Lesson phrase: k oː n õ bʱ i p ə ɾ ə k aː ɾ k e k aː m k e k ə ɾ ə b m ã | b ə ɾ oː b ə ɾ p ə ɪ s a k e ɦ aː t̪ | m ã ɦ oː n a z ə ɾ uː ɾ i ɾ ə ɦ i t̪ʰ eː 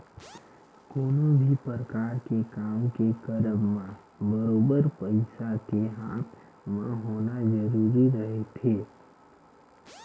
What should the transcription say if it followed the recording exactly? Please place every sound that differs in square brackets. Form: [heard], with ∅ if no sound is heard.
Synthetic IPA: k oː n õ bʱ i p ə ɾ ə k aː ɾ k e k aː m k e k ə ɾ ə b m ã | b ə ɾ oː b ə ɾ p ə ɪ s a k e ɦ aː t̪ | m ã ɦ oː n a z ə ɾ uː ɾ i ɾ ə ɦ [e] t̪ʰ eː